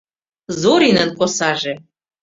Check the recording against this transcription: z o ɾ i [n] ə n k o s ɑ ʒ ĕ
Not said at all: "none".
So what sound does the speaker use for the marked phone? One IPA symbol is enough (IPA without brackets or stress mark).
n